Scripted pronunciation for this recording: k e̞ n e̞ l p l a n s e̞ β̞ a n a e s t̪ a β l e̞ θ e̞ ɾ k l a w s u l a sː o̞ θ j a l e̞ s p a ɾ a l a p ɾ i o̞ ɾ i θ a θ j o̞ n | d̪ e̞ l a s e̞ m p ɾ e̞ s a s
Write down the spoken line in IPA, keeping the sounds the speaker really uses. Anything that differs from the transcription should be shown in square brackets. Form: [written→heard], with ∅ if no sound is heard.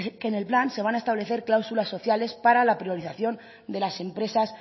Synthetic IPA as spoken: k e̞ n e̞ l p l a n s e̞ β̞ a n a e s t̪ a β l e̞ θ e̞ ɾ k l a w s u l a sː o̞ θ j a l e̞ s p a ɾ a l a p ɾ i o̞ ɾ i θ a θ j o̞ n | d̪ e̞ l a s e̞ m p ɾ e̞ s a s